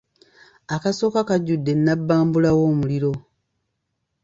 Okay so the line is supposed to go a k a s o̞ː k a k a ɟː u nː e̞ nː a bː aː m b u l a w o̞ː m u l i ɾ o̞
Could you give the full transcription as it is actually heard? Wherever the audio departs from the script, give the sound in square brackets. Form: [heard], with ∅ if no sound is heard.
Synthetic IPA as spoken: a k a s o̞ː k a k a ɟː u [dː] e̞ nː a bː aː m b u l a w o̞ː m u l i ɾ o̞